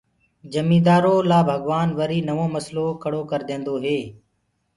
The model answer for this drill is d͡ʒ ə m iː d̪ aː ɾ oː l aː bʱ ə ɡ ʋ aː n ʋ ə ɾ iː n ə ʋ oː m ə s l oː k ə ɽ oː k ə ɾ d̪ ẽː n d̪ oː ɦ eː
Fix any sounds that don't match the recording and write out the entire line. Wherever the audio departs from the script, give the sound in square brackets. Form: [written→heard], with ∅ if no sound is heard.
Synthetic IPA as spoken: d͡ʒ ə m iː d̪ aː ɾ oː l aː bʱ ə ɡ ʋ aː n ʋ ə ɾ iː n ə ʋ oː m ə s l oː k ə ɽ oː k ə ɾ d̪ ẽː n d̪ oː ɦ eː